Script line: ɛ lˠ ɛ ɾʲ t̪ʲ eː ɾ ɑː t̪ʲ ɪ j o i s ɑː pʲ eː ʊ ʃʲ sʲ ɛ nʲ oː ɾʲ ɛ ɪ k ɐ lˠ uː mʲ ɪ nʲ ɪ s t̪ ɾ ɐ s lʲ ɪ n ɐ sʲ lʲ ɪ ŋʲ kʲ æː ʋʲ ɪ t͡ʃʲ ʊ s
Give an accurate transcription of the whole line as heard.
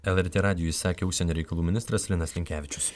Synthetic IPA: ɛ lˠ ɛ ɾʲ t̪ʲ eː ɾ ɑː d̪ʲ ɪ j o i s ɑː kʲ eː ʊ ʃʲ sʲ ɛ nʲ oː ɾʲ ɛ ɪ k ɐ lˠ uː mʲ ɪ nʲ ɪ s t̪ ɾ ɐ s lʲ ɪ n ɐ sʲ lʲ ɪ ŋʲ kʲ æː ʋʲ ɪ t͡ʃʲ ʊ s

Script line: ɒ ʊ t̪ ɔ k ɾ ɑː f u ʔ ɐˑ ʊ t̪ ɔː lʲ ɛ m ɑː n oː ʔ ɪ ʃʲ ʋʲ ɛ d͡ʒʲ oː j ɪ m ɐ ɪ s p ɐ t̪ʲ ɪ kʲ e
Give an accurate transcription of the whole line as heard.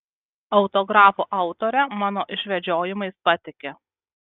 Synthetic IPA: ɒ ʊ t̪ ɔ ɡ ɾ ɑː f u ʔ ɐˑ ʊ t̪ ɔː ɾʲ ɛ m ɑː n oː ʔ ɪ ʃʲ ʋʲ ɛ d͡ʒʲ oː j ɪ m ɐ ɪ s p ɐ t̪ʲ ɪ kʲ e

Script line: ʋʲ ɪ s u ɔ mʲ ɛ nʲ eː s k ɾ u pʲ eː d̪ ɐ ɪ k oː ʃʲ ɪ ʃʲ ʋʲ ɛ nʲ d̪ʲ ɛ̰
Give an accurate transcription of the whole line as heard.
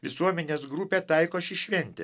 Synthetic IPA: ʋʲ ɪ s u ɔ mʲ ɛ nʲ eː s ɡ ɾ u pʲ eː t̪ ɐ ɪ k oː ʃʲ ɪ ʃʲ ʋʲ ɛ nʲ t̪ʲ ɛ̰

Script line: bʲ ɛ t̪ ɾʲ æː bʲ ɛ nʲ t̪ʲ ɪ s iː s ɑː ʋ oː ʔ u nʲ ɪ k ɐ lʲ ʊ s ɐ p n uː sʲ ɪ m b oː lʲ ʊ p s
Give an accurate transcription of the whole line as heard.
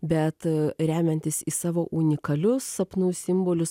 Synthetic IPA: bʲ ɛ t̪ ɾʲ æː mʲ ɛ nʲ t̪ʲ ɪ s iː s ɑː ʋ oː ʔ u nʲ ɪ k ɐ lʲ ʊ s ɐ p n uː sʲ ɪ m b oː lʲ ʊ s

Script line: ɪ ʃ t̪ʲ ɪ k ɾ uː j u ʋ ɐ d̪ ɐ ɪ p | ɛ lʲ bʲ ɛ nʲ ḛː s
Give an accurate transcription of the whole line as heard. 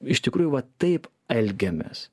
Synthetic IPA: ɪ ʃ t̪ʲ ɪ k ɾ uː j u ʋ ɐ t̪ ɐ ɪ p | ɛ lʲ ɡʲ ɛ mʲ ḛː s

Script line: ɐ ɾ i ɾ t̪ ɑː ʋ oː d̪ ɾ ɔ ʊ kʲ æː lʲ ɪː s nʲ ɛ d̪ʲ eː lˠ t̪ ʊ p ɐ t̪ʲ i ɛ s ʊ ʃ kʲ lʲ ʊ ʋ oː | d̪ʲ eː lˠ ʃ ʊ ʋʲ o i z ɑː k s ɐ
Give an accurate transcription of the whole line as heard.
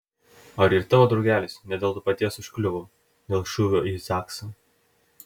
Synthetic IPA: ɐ ɾ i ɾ t̪ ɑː ʋ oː d̪ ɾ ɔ ʊ ɡʲ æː lʲ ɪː s nʲ ɛ d̪ʲ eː lˠ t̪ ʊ p ɐ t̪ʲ i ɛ s ʊ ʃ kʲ lʲ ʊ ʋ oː | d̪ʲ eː lˠ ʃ ʊ ʋʲ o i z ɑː k s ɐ

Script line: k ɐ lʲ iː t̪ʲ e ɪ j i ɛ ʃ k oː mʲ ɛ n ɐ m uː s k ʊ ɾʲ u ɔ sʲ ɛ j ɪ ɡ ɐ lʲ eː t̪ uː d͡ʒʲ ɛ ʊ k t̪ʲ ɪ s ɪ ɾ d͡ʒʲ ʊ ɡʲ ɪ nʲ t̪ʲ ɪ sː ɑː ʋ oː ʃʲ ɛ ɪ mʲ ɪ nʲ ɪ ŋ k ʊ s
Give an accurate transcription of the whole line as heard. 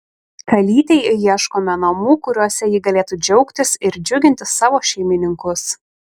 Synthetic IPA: k ɐ lʲ iː t̪ʲ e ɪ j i ɛ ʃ k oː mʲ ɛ n ɐ m uː k ʊ ɾʲ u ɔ sʲ ɛ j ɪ ɡ ɐ lʲ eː t̪ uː d͡ʒʲ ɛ ʊ k t̪ʲ ɪ s ɪ ɾ d͡ʒʲ ʊ ɡʲ ɪ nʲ t̪ʲ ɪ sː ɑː ʋ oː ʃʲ ɛ ɪ mʲ ɪ nʲ ɪ ŋ k ʊ s

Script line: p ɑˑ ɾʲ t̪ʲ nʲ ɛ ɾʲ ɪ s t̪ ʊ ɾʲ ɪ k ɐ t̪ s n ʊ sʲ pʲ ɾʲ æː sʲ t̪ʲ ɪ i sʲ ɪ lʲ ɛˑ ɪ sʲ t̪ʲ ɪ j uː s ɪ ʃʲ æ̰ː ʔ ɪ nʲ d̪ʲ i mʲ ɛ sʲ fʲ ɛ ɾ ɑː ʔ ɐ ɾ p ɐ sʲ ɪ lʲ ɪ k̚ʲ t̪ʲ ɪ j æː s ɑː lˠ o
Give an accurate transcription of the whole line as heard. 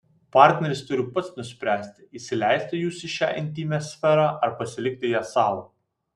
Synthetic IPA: p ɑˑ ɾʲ t̪ʲ nʲ ɛ ɾʲ ɪ s t̪ ʊ ɾʲ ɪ p ɐ t̪ s n ʊ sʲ pʲ ɾʲ æː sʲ t̪ʲ ɪ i sʲ ɪ lʲ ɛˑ ɪ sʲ t̪ʲ ɪ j uː s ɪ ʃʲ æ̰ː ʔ ɪ nʲ t̪ʲ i mʲ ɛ sʲ fʲ ɛ ɾ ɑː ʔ ɐ ɾ p ɐ sʲ ɪ lʲ ɪ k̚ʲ t̪ʲ ɪ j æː s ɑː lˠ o

